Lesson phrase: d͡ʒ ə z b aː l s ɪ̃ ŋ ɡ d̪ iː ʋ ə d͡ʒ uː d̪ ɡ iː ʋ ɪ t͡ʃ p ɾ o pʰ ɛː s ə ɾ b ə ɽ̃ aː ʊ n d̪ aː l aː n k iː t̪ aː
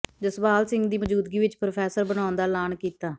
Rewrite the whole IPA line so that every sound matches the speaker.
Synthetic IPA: d͡ʒ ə s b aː l s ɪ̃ ŋ ɡ d̪ iː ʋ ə d͡ʒ uː d̪ ɡ iː ʋ ɪ t͡ʃ p ɾ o pʰ ɛː s ə ɾ b ə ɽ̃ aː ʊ n d̪ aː l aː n k iː t̪ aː